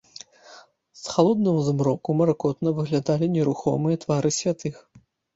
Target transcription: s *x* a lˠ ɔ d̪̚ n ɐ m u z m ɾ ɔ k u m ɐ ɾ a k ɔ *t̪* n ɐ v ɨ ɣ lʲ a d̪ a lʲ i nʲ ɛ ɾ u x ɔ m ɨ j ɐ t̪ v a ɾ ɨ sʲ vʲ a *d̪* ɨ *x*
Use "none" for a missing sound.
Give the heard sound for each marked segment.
x, t̪, t̪, x

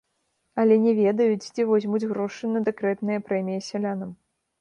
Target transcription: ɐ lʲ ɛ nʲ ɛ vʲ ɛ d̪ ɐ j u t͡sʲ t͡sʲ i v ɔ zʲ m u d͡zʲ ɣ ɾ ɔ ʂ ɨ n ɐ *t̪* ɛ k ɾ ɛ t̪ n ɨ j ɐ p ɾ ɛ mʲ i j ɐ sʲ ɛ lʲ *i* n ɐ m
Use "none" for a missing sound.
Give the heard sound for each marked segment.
d̪, a

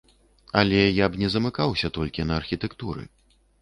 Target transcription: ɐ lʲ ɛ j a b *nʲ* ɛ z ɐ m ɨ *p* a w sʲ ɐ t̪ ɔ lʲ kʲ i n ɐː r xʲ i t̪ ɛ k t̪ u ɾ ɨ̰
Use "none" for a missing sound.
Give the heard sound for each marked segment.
nʲ, k

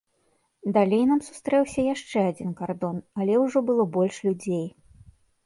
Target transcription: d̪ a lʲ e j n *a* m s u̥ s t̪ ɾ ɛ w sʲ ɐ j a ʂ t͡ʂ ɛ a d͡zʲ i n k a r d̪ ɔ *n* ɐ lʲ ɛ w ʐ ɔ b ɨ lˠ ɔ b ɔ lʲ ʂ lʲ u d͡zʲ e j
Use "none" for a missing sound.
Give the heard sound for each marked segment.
a, n

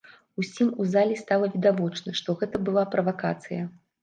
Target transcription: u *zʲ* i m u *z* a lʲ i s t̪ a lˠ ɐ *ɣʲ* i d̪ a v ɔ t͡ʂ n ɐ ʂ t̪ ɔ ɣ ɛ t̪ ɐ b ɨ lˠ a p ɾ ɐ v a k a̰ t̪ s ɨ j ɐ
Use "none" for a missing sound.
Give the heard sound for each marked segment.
sʲ, z, vʲ

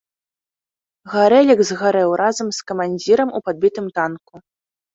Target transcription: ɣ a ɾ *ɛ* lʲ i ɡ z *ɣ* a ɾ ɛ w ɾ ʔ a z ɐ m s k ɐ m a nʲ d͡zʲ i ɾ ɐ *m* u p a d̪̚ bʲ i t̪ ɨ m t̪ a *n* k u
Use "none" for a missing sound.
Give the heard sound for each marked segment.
ɛ, ɣ, m, n

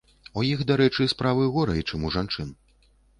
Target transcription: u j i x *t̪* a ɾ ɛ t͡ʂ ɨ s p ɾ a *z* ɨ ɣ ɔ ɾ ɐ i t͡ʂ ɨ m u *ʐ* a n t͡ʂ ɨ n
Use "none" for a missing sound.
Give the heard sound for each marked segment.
d̪, v, ʐ

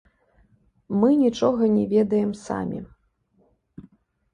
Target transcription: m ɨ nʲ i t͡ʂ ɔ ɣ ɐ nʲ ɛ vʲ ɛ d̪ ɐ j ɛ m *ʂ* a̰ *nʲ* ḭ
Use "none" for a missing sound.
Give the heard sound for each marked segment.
s, mʲ

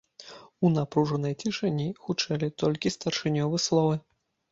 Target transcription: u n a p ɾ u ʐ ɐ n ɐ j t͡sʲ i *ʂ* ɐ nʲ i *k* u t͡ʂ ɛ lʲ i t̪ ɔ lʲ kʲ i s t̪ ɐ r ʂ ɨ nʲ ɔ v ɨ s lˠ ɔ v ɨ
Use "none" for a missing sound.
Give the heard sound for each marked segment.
ʂ, x

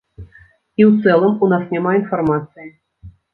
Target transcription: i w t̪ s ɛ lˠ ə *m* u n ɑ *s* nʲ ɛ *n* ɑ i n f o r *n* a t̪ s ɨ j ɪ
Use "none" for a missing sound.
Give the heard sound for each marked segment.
m, s, m, m

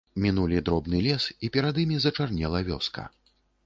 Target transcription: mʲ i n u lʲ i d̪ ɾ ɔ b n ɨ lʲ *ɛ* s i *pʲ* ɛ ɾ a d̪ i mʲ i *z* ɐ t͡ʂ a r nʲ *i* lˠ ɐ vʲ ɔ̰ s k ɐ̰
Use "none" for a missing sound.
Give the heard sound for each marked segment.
ɛ, pʲ, z, ɛ

